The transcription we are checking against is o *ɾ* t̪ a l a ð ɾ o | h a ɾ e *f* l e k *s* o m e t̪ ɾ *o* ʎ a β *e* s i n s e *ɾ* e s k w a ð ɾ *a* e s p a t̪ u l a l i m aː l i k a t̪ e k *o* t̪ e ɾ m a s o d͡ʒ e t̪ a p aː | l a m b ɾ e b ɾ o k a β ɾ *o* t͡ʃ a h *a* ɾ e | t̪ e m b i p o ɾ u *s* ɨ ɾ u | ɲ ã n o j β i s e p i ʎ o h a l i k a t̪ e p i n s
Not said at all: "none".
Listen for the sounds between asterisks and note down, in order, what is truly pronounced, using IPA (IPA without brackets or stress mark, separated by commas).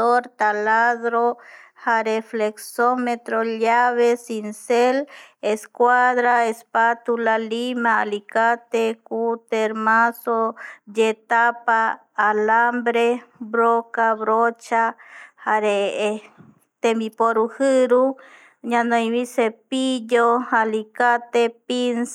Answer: ɾ, f, s, o, e, l, a, u, o, a, h